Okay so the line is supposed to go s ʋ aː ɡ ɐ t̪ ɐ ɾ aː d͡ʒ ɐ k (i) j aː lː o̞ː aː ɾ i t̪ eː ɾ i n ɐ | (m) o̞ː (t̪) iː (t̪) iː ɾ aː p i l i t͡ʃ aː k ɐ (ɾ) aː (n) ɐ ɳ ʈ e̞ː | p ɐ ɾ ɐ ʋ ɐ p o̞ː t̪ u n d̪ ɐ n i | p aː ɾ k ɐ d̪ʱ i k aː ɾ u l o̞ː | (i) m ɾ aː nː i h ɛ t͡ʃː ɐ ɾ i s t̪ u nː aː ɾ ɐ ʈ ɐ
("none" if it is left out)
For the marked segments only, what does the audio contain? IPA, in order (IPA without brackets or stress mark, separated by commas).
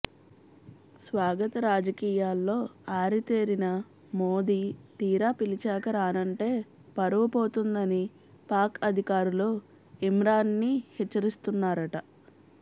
iː, m, d̪, t̪, ɾ, n, i